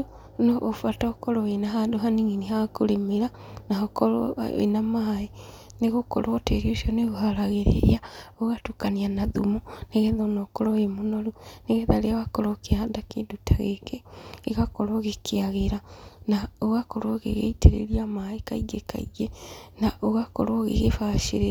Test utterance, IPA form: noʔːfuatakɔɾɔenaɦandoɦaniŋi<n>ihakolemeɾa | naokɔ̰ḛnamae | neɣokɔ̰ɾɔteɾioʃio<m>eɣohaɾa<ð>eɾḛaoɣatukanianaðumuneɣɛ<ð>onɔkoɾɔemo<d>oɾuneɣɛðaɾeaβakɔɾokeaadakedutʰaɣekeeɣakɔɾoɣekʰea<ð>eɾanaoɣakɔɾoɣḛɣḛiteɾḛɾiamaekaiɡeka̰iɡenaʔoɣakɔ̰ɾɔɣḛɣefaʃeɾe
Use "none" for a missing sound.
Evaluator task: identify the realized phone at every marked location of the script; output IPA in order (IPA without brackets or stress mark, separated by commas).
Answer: n, n, ɣ, ð, n, ɣ